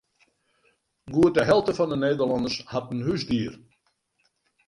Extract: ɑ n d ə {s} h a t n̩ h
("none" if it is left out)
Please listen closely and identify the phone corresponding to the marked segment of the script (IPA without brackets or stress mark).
s